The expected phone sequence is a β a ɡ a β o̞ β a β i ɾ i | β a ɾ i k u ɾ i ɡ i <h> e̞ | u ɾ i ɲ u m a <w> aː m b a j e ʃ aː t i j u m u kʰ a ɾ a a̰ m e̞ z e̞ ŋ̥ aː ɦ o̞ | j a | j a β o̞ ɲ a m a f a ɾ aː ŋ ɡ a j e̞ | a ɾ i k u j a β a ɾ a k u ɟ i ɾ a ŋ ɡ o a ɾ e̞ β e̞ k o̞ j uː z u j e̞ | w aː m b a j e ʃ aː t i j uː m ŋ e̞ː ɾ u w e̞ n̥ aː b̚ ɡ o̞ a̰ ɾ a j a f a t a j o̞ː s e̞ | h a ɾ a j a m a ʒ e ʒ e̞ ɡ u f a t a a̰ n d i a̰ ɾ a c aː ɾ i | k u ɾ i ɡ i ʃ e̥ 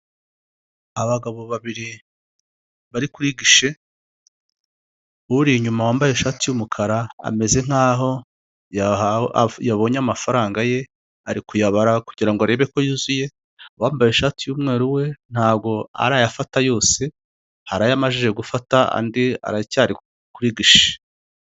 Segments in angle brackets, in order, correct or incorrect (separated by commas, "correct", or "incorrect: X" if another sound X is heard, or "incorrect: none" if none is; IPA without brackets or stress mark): incorrect: ʃ, correct